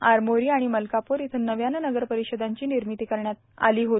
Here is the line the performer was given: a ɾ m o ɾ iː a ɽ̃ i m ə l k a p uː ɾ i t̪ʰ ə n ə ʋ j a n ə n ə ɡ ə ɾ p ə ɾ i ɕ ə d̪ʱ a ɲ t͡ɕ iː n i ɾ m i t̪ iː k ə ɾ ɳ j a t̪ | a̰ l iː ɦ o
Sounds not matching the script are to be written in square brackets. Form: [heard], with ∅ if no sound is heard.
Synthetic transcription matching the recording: a ɾ m o ɾ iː a ɽ̃ i m ə l k a p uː ɾ i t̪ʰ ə n ə ʋ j a n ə n ə ɡ ə ɾ p ə ɾ i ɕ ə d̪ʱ a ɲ t͡ɕ iː n i ɾ m i t̪ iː k ə ɾ ɳ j a t̪ | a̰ l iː ɦ o

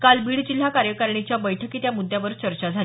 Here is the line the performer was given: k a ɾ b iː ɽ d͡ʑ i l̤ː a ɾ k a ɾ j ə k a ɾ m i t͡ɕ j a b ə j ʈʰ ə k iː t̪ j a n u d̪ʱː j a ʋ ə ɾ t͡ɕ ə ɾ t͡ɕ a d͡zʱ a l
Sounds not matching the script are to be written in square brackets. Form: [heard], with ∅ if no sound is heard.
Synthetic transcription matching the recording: k a [l] b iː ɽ d͡ʑ i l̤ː a [∅] k a ɾ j ə k a ɾ [ɳ] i t͡ɕ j a b ə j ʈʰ ə k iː t̪ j a [m] u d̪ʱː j a ʋ ə ɾ t͡ɕ ə ɾ t͡ɕ a d͡zʱ a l

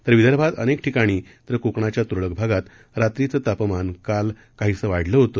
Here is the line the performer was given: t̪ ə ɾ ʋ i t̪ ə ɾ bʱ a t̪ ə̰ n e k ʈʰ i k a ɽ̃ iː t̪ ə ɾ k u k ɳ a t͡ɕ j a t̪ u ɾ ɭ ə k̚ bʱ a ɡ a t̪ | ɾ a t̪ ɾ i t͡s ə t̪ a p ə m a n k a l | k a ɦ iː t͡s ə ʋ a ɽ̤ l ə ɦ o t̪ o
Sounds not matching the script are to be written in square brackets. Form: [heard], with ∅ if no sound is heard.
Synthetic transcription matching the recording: t̪ ə ɾ ʋ i [d̪] ə ɾ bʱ a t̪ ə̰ n e k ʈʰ i k a ɽ̃ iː t̪ ə ɾ k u k ɳ a t͡ɕ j a t̪ u ɾ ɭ ə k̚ bʱ a ɡ a t̪ | ɾ a t̪ ɾ i t͡s ə t̪ a p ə m a n k a l | k a ɦ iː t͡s ə ʋ a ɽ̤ l ə ɦ o t̪ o

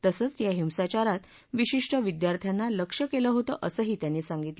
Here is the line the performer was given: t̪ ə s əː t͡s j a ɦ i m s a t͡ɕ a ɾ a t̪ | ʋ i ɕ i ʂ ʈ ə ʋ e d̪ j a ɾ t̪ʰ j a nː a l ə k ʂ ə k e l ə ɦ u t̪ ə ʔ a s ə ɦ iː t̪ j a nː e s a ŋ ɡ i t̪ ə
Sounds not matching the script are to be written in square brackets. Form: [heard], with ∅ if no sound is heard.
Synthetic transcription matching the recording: t̪ ə s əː t͡s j a ɦ i m s a t͡ɕ a ɾ a t̪ | ʋ i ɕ i ʂ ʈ ə ʋ [i] d̪ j a ɾ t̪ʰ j a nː a l ə k ʂ ə k e l ə ɦ [o] t̪ ə ʔ [ə] s ə ɦ iː t̪ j a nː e s a ŋ ɡ i t̪ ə

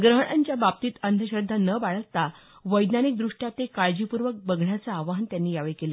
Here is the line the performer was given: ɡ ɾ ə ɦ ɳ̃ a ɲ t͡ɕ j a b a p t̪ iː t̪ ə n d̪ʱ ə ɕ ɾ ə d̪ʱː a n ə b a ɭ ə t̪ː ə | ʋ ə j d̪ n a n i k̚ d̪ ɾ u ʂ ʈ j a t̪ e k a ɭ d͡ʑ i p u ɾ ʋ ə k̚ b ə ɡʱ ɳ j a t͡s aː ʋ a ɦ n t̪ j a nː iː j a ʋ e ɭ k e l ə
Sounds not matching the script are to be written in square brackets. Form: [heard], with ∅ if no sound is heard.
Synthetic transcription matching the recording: ɡ ɾ ə ɦ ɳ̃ a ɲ t͡ɕ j a b a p t̪ iː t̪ ə n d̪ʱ ə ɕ ɾ ə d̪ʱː a n ə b a ɭ ə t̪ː [a] | ʋ ə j d̪ n a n i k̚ d̪ ɾ u ʂ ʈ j a t̪ e k a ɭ d͡ʑ i p u ɾ ʋ ə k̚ b ə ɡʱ ɳ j a t͡s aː ʋ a ɦ n t̪ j a nː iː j a ʋ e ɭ k e l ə

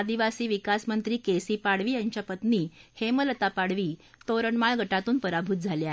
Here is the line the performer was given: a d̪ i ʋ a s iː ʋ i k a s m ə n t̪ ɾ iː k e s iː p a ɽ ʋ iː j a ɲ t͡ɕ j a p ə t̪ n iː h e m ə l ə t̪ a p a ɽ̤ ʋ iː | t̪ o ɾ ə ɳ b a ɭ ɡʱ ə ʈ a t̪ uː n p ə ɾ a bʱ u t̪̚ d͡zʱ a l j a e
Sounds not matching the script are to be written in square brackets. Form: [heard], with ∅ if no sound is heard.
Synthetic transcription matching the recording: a d̪ i ʋ a s iː ʋ i k a s m ə n t̪ ɾ iː k e s iː p a ɽ ʋ iː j a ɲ t͡ɕ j a p ə t̪ n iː h e m ə l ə t̪ a p a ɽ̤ ʋ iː | t̪ o ɾ ə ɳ [m] a ɭ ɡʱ ə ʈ a t̪ uː n p ə ɾ a bʱ u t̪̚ d͡zʱ a l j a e

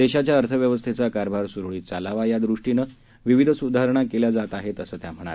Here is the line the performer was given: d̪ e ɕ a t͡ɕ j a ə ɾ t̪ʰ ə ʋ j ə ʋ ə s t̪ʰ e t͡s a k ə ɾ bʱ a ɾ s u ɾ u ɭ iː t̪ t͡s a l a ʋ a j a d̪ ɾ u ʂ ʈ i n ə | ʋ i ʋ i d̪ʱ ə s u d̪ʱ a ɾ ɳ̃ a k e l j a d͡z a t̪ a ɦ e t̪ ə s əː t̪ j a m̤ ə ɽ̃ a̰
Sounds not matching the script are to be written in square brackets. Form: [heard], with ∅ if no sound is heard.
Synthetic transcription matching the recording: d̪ e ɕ a t͡ɕ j a ə ɾ t̪ʰ ə ʋ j ə ʋ ə s t̪ʰ e t͡s a k [a] ɾ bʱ a ɾ s u ɾ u ɭ iː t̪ t͡s a l a ʋ a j a d̪ ɾ u ʂ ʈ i n ə | ʋ i ʋ i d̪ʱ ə s u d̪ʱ a ɾ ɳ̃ a k e l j a d͡z a t̪ a ɦ e t̪ ə s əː t̪ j a m̤ ə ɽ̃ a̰

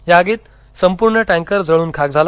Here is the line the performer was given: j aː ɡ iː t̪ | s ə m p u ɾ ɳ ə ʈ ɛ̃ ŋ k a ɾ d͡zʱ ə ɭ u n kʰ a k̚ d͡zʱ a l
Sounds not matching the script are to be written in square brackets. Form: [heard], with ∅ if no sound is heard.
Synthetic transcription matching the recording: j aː ɡ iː t̪ | s ə m p u ɾ ɳ ə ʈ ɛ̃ ŋ k [ə] ɾ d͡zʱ ə ɭ [uː] n kʰ a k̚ d͡zʱ a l

